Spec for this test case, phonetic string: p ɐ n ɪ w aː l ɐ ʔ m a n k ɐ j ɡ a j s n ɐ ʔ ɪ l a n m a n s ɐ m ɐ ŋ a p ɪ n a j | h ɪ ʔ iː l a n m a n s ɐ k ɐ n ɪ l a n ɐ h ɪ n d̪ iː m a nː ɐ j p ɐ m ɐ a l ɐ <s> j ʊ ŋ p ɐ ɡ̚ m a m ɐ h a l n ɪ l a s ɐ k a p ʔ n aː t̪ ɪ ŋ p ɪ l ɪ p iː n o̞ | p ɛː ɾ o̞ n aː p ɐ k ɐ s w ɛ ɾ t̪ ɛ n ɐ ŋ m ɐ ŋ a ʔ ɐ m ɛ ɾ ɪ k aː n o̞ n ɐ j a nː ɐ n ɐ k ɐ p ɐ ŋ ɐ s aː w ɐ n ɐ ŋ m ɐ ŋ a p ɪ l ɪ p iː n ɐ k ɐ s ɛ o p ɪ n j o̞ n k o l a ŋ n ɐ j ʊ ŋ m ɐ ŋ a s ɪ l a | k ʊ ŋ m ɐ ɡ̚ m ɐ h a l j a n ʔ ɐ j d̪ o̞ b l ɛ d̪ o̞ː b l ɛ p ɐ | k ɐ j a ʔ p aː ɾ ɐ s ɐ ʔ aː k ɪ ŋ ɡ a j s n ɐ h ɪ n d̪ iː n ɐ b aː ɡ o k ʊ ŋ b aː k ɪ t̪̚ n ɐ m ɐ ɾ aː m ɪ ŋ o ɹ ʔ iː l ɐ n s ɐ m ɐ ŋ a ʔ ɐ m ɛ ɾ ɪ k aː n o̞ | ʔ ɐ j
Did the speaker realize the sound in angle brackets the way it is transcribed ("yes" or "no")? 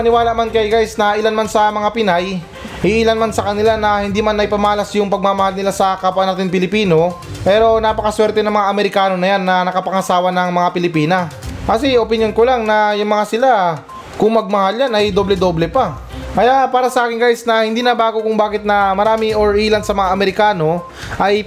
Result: yes